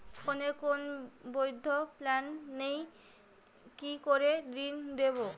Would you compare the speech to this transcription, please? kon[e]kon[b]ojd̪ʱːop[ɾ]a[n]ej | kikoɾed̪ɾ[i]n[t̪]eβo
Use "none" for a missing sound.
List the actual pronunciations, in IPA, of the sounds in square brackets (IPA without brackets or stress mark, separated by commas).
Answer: e, b, l, nː, i, d̪